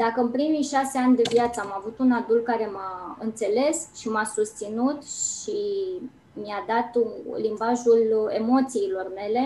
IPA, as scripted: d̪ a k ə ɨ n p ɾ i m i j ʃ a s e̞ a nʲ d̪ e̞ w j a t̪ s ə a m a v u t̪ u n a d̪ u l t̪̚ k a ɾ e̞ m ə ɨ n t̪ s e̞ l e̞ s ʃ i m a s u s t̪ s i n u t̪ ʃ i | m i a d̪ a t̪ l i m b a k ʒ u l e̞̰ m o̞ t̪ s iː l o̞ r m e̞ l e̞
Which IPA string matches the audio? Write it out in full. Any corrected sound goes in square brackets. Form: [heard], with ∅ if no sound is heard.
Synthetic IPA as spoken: d̪ a k ə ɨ n p ɾ i m i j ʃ a s e̞ a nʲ d̪ e̞ [v] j a t̪ s ə a m a v u t̪ u n a d̪ u l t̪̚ k a ɾ e̞ m [a] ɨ n t̪ s e̞ l e̞ s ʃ i m a s u s t̪ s i n u t̪ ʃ i | m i a d̪ a t̪ l i m b a [∅] ʒ u l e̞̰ m o̞ t̪ s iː l o̞ r m e̞ l e̞